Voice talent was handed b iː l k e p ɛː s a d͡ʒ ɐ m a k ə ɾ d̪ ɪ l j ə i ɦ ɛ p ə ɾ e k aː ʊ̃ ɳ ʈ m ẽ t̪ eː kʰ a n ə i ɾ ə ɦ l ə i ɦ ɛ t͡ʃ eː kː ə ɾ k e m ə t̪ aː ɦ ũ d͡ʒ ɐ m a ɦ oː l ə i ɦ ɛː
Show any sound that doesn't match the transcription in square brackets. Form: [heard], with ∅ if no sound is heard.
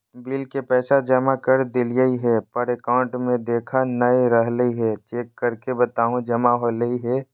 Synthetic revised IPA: b iː l k e p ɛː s a d͡ʒ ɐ m a k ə ɾ d̪ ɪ l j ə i ɦ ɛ p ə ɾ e k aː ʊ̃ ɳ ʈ m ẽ [d̪] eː kʰ a n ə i ɾ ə ɦ l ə i ɦ ɛ t͡ʃ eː kː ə ɾ k e [b] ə t̪ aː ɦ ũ d͡ʒ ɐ m a ɦ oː l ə i ɦ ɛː